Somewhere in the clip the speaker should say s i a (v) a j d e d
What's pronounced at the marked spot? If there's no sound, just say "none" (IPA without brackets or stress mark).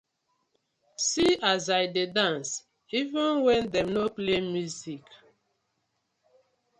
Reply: z